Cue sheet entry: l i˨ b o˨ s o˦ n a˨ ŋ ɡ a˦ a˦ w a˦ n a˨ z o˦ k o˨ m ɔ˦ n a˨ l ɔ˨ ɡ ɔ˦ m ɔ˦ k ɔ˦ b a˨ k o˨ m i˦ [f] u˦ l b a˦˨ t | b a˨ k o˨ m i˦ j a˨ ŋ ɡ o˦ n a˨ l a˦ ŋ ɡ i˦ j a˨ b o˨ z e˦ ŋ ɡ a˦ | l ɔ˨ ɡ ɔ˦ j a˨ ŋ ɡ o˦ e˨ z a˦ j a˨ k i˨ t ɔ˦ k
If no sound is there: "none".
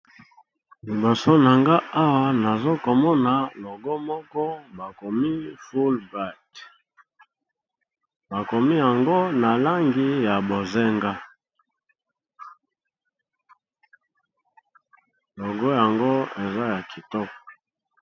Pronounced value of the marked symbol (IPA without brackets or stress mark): f